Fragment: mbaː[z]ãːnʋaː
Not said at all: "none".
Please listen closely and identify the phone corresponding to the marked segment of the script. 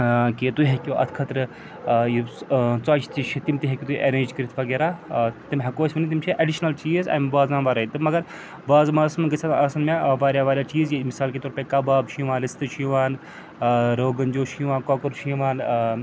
z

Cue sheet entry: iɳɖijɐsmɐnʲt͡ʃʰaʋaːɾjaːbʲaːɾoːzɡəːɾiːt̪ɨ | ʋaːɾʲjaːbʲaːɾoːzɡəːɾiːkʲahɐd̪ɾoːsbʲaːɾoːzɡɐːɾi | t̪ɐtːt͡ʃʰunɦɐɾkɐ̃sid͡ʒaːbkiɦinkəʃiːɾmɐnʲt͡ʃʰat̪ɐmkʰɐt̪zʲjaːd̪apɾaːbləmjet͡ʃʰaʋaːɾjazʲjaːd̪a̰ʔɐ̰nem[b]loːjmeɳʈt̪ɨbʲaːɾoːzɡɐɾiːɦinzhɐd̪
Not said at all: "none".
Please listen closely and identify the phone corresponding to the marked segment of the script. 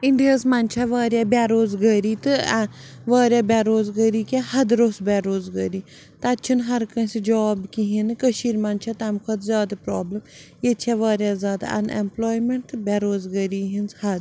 p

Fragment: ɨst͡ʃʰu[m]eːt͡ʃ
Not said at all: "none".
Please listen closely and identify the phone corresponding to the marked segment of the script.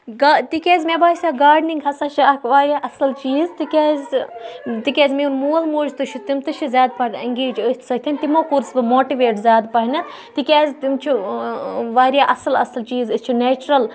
n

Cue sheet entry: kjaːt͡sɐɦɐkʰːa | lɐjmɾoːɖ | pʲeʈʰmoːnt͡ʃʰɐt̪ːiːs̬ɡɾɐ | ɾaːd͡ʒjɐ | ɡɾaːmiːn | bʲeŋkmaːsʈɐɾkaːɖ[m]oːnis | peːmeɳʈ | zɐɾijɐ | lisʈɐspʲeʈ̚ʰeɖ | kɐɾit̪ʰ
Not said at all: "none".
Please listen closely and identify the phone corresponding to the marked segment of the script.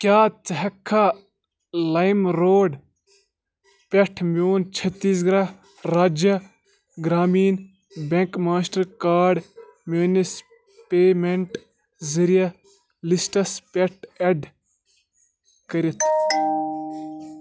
m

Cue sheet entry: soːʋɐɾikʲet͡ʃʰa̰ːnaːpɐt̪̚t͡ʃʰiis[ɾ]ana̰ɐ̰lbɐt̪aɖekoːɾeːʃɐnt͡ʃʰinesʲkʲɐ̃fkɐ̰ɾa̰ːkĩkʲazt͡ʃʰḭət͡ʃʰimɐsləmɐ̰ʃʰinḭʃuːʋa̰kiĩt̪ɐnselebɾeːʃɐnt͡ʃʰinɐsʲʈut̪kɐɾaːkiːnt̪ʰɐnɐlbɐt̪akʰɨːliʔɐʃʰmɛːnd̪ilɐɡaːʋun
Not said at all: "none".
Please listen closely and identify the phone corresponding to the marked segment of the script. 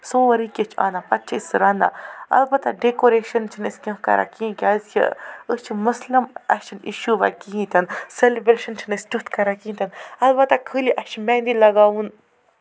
ɾ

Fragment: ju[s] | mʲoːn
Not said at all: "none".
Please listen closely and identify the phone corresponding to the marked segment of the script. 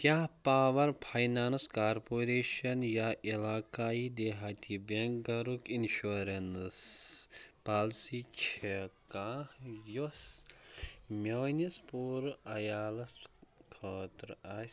s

